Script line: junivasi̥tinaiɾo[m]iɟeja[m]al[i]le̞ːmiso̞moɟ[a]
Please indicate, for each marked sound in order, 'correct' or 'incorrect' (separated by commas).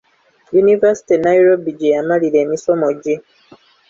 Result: incorrect, correct, correct, incorrect